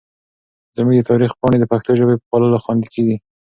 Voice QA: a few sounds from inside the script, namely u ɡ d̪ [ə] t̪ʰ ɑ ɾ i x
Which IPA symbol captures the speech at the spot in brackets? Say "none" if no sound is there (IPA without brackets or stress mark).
ə